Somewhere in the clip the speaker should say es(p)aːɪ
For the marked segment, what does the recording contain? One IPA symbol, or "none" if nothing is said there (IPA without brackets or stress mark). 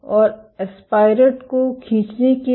p